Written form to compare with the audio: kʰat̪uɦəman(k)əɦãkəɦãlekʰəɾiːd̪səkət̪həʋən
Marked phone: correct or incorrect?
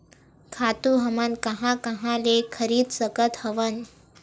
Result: correct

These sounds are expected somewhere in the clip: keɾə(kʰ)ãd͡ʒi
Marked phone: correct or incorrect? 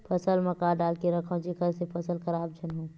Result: correct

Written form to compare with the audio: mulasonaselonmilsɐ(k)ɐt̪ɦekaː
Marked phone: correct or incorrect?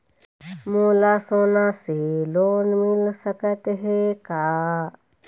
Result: correct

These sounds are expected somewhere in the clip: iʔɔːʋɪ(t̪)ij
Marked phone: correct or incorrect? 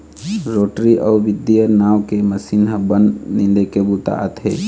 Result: incorrect: d̪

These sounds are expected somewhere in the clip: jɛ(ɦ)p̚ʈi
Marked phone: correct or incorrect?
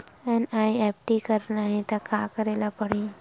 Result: incorrect: none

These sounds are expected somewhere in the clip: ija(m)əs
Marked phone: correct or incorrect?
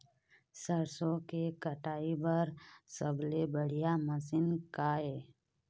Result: correct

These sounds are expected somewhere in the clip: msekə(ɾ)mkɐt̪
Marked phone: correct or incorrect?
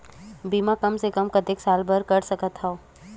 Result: incorrect: none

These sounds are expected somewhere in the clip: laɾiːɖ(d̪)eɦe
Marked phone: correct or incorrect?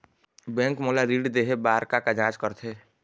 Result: correct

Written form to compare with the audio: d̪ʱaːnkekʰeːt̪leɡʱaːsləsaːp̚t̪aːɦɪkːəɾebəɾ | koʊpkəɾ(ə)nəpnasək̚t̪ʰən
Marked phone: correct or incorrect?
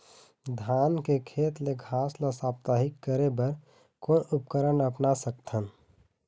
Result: correct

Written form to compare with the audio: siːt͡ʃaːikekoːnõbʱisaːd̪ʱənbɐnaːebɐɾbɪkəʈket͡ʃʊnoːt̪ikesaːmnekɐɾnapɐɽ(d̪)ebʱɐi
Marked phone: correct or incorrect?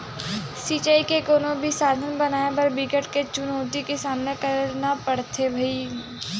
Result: incorrect: t̪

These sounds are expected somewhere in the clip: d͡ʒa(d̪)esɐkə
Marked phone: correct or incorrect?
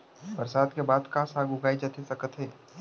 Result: incorrect: t̪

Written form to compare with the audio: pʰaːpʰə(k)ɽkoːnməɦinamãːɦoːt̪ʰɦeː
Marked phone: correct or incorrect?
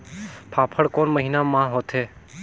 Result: incorrect: none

